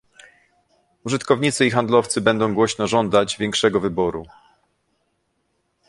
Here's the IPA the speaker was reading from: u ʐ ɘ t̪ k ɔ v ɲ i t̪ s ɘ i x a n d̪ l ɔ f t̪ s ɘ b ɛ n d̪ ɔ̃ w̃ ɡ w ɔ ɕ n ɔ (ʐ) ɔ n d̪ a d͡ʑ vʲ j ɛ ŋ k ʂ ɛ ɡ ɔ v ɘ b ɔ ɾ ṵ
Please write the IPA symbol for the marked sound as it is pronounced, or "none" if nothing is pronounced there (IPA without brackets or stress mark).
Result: ʐ